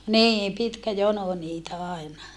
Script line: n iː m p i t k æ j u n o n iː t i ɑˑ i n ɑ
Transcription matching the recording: n iː m p i t k æ j o n o n iː t æ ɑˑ i n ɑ